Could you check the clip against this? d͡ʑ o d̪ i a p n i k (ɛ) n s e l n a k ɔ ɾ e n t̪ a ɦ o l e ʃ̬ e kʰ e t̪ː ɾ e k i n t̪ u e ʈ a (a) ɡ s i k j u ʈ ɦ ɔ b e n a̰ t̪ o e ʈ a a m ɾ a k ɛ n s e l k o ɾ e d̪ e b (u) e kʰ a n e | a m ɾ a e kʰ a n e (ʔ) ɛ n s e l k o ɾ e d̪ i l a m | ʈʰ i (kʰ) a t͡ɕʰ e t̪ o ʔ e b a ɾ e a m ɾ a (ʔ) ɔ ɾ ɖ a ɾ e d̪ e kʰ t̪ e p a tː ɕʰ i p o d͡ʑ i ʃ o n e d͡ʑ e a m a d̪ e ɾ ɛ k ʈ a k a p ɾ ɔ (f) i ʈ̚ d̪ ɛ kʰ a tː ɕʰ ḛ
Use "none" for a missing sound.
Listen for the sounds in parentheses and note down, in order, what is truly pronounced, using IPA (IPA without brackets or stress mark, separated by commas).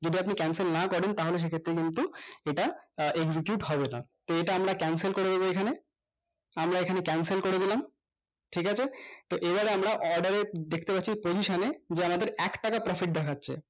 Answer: ɛ, e, o, k, k, ʔ, f